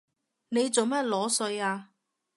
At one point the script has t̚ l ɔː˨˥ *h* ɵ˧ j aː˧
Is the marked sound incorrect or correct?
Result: incorrect: s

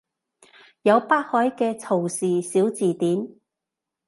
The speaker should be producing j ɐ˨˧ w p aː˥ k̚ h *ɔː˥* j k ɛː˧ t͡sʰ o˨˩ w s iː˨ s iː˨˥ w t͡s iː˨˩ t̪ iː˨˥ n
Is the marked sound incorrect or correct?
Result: incorrect: ɔː˨˥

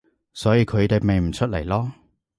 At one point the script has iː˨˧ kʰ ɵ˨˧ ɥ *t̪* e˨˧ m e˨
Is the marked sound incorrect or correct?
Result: correct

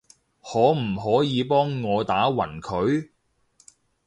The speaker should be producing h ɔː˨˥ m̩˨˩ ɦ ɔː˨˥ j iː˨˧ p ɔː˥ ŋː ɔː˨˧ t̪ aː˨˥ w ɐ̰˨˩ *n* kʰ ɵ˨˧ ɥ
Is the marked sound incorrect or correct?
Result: correct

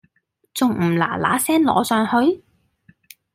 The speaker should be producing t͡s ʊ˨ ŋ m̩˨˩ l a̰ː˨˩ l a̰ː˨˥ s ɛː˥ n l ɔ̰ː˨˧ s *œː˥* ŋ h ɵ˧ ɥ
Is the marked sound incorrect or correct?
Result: incorrect: œː˨˧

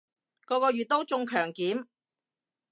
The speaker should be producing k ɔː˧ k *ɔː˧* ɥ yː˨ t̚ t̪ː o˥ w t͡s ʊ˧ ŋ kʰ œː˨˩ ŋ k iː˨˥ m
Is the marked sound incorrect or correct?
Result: correct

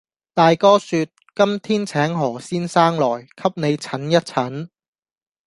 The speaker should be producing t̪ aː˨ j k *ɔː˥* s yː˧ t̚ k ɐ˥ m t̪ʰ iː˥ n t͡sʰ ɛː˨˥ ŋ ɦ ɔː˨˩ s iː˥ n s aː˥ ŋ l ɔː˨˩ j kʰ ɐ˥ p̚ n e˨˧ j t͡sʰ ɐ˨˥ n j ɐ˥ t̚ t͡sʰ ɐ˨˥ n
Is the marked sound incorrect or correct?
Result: correct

